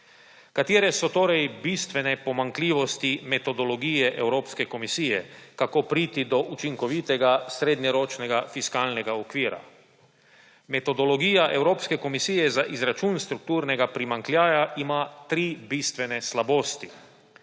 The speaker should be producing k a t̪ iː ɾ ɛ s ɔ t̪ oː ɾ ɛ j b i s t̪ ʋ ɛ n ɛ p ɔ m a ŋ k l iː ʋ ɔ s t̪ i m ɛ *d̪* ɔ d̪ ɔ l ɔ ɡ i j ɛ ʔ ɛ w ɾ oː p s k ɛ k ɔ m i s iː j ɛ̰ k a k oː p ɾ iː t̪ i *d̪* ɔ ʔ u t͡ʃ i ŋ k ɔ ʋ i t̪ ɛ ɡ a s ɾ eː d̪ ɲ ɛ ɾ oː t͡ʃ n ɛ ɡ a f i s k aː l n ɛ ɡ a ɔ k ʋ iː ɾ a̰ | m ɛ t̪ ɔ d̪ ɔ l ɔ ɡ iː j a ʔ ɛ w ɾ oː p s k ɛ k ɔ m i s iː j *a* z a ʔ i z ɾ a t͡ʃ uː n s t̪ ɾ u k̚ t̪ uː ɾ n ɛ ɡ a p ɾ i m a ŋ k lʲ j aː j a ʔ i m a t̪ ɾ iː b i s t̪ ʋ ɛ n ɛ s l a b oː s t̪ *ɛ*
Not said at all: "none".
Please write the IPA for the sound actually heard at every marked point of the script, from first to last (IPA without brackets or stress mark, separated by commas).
t̪, d̪, ɛ, i